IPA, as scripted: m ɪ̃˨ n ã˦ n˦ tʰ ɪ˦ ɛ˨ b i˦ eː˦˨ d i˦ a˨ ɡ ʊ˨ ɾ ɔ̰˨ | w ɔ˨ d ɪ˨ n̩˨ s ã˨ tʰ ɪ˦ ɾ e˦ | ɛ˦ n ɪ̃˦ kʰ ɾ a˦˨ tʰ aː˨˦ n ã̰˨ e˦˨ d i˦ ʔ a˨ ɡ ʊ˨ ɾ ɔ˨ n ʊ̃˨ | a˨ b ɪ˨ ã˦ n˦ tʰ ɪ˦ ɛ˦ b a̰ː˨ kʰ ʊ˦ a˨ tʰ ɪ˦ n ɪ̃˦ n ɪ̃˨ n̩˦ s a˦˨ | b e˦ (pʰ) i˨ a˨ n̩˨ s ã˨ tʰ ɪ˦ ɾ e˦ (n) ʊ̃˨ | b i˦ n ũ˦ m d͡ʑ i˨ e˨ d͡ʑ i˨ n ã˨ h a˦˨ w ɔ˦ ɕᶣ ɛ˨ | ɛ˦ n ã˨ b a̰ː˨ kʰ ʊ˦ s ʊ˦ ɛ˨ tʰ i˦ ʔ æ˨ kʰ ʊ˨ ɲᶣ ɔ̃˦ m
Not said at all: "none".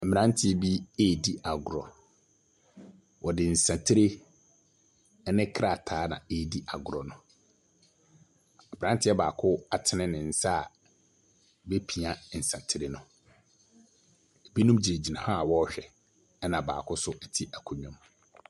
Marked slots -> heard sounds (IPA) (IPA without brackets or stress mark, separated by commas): pʰ, n